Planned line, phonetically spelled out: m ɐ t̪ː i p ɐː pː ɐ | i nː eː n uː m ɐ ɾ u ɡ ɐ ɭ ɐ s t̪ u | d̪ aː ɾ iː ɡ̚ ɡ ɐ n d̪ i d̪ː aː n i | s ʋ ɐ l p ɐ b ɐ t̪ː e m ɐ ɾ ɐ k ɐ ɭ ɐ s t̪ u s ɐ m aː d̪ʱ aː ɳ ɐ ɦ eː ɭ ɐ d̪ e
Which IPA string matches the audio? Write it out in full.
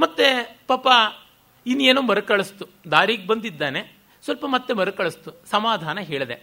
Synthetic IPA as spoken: m ɐ t̪ː e p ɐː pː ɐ | i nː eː n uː m ɐ ɾ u k ɐ ɭ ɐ s t̪ u | d̪ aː ɾ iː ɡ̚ b ɐ n d̪ i d̪ː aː n e | s ʋ ɐ l p ɐ m ɐ t̪ː e m ɐ ɾ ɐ k ɐ ɭ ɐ s t̪ u s ɐ m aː d̪ʱ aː n ɐ ɦ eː ɭ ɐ d̪ e